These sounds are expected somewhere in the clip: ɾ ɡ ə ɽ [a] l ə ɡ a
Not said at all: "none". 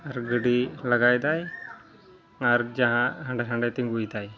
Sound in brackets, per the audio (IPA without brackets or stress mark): i